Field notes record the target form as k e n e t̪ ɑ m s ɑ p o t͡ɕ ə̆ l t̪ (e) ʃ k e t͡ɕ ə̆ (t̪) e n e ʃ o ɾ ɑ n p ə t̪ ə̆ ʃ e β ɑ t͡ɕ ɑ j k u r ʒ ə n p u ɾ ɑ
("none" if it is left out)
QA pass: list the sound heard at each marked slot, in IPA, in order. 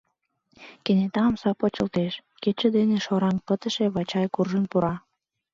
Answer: e, d̪

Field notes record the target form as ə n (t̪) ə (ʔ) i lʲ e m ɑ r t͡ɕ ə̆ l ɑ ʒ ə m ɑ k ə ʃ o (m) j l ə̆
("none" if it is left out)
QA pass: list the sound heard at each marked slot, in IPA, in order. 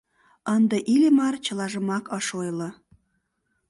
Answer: d̪, ʔ, none

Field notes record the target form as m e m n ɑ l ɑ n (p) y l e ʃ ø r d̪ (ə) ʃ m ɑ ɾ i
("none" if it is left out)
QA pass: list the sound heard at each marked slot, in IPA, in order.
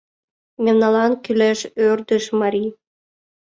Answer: k, ə

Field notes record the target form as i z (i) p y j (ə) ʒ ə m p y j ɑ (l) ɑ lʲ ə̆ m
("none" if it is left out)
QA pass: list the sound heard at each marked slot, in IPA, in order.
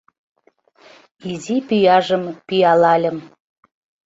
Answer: i, ɑ, l

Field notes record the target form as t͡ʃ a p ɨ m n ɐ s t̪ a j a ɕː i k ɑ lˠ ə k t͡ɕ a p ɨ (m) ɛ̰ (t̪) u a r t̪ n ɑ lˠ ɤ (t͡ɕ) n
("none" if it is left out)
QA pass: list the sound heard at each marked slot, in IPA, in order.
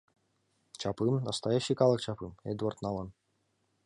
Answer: m, d̪, none

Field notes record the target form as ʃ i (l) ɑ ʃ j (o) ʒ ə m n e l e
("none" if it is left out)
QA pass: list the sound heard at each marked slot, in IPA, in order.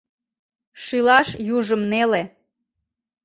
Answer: l, u

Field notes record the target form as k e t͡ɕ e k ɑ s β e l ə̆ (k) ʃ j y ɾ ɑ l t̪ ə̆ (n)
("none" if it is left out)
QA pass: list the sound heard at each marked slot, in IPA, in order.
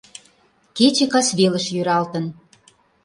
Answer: none, n

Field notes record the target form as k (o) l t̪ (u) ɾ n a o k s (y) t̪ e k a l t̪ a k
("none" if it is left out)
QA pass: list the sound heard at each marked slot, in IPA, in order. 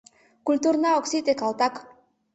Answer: u, u, i

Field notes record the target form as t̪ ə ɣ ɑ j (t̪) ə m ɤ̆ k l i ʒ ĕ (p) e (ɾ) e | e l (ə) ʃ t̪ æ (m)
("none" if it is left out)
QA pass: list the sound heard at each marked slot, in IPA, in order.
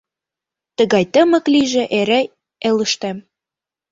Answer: t̪, ʔ, ɾ, ə, m

